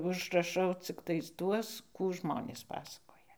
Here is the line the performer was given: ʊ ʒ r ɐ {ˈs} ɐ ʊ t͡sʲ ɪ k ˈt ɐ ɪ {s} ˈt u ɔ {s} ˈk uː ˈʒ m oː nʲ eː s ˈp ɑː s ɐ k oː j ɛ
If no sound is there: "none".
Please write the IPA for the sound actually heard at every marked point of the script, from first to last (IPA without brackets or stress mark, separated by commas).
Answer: ʃ, s, s